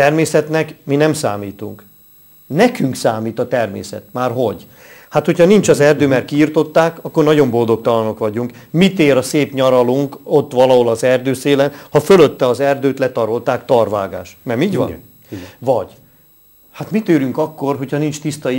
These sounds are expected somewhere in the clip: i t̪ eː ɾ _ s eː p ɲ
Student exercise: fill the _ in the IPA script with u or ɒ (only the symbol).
ɒ